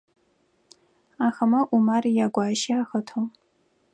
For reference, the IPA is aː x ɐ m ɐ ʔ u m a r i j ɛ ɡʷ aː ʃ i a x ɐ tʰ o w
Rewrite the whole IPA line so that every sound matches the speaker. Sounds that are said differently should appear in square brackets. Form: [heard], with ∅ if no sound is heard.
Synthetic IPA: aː x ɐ m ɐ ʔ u m a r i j [a] ɡʷ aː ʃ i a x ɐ tʰ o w